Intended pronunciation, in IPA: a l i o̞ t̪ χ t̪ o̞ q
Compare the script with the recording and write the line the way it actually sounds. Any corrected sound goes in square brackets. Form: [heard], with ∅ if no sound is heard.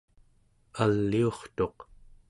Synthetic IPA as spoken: a [lː] i o̞ [∅] χ t̪ o̞ q

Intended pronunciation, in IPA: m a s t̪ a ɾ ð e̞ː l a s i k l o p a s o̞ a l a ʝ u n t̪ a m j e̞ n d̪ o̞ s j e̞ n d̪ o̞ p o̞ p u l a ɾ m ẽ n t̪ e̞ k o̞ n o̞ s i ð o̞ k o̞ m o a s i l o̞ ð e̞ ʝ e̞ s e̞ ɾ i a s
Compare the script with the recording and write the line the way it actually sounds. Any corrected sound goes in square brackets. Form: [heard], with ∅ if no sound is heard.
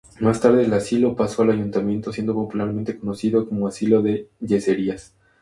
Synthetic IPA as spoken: m a s t̪ a ɾ ð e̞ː l a s i [∅] l o p a s o̞ a l a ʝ u n t̪ a m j e̞ n [t̪] o̞ s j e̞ n d̪ o̞ p o̞ p u l a ɾ m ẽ n t̪ e̞ k o̞ n o̞ s i ð o̞ k o̞ m o a s i l o̞ ð e̞ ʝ e̞ s e̞ ɾ i a s

